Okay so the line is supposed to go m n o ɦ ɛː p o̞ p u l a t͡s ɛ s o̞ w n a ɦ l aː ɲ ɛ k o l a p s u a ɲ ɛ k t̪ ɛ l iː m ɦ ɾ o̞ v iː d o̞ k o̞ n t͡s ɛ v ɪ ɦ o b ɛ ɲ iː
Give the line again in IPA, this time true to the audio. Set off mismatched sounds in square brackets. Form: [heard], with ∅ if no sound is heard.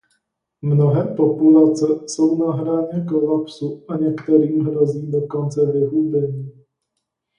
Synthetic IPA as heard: m n o ɦ ɛː p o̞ p u l a t͡s ɛ s o̞ w n a ɦ [ɾ] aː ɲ ɛ k o l a p s u a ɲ ɛ k t̪ ɛ [ɾ] iː m ɦ ɾ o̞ [z] iː d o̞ k o̞ n t͡s ɛ v ɪ ɦ [u] b ɛ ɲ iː